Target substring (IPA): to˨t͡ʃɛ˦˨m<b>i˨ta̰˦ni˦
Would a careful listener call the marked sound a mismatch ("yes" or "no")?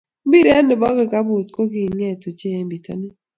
no